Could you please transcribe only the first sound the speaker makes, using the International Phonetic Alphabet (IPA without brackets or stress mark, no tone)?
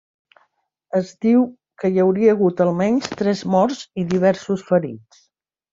ə